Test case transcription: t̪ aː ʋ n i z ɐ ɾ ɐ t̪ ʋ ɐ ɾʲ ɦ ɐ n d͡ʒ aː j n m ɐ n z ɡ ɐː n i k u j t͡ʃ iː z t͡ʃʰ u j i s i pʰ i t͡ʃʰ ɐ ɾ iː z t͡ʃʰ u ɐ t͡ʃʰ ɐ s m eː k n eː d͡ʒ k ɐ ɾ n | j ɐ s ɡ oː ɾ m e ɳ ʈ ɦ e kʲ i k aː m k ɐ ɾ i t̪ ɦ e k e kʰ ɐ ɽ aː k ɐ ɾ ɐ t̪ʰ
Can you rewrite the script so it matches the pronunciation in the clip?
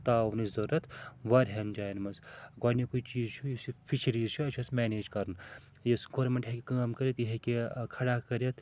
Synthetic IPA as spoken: t̪ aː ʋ n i z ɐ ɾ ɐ t̪ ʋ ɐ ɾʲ ɦ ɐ n d͡ʒ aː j n m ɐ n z ɡ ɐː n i k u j t͡ʃ iː z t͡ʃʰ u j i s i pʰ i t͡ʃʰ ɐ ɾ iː z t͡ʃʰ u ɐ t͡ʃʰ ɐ s m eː n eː d͡ʒ k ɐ ɾ n | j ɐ s ɡ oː ɾ m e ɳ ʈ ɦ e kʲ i k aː m k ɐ ɾ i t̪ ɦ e k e kʰ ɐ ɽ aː k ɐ ɾ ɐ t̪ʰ